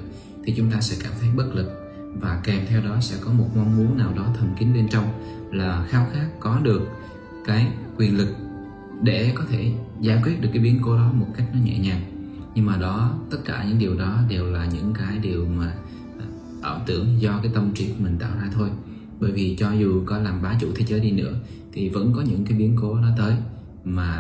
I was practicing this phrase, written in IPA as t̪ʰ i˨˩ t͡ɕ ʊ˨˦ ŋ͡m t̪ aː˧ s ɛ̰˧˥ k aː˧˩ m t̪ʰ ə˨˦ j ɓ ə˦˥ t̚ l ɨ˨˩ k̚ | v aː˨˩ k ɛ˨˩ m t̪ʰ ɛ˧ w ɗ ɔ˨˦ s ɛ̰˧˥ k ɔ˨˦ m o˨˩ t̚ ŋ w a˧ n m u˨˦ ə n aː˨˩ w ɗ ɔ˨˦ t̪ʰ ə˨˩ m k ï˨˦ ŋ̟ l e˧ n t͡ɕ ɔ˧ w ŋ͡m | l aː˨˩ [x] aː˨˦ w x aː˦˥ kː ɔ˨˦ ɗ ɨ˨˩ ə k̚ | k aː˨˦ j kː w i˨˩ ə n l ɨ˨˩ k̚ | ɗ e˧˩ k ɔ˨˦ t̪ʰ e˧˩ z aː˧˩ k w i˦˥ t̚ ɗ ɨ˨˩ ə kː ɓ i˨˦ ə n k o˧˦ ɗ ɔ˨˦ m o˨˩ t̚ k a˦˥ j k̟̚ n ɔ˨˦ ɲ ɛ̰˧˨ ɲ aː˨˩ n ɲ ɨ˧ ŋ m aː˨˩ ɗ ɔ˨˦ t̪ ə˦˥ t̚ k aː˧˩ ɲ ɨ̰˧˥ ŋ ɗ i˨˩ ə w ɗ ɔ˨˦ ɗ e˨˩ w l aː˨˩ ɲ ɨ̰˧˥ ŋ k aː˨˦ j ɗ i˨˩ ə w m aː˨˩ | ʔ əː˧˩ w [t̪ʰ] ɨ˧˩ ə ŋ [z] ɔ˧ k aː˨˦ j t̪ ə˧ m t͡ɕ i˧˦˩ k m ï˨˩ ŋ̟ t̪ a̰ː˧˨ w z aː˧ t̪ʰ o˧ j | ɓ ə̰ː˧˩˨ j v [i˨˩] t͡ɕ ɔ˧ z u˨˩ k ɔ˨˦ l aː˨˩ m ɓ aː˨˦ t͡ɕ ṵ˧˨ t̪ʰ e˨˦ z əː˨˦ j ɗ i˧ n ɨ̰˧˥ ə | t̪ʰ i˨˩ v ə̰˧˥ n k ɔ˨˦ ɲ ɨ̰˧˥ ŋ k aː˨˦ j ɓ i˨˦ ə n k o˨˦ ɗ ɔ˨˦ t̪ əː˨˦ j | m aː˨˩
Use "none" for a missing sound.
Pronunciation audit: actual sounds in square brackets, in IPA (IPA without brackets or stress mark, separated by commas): x, t̪, z, i˨˩